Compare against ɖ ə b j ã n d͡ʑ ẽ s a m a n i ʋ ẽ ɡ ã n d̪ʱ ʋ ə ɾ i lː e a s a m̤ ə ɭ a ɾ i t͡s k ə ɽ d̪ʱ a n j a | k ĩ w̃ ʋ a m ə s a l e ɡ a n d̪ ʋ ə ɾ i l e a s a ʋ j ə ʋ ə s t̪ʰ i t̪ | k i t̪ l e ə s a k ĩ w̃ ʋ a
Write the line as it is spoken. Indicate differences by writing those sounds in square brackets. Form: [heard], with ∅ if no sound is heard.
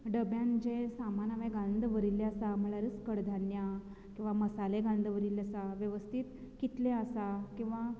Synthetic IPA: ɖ ə b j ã n d͡ʑ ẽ s a m a n [a] ʋ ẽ ɡ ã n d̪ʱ ʋ ə ɾ i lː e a s a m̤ ə ɭ a ɾ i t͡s k ə ɽ d̪ʱ a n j a | k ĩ w̃ ʋ a m ə s a l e ɡ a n d̪ ʋ ə ɾ i l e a s a ʋ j ə ʋ ə s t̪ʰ i t̪ | k i t̪ l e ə s a k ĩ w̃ ʋ a